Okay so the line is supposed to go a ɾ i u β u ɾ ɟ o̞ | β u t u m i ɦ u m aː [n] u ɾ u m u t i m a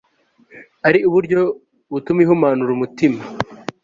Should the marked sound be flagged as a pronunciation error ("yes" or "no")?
no